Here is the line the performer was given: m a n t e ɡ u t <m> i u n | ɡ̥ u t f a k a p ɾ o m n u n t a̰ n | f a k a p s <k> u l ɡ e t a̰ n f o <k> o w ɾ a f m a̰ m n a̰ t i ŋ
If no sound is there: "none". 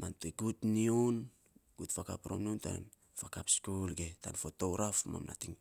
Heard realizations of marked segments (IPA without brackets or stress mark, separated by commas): n, k, t